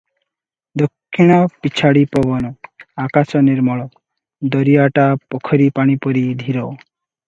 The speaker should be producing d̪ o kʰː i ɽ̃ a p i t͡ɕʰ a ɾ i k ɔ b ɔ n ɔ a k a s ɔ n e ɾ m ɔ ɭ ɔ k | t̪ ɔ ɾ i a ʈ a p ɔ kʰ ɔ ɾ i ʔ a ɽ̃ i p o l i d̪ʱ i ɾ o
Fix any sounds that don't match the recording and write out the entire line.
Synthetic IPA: d̪ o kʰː i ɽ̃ a p i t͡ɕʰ a ɽ i p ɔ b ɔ n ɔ a k a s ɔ n e ɾ m ɔ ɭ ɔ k | d̪ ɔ ɾ i a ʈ a p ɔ kʰ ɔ ɾ i p a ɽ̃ i p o ɾ i d̪ʱ i ɾ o